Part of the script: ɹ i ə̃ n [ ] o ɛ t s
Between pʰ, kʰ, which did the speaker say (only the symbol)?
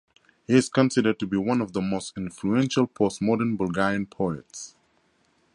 pʰ